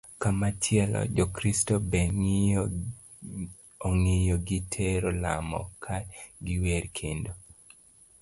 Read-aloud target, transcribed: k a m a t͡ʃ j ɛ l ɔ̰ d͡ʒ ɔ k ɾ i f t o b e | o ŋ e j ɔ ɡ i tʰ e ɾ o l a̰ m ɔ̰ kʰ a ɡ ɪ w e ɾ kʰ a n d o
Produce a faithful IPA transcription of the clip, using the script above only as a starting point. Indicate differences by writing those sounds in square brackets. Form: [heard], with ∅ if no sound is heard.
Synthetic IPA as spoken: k a m a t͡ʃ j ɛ l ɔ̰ d͡ʒ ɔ k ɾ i [s] t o b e | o ŋ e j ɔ ɡ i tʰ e ɾ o l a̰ m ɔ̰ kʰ a ɡ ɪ w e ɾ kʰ [e] n d o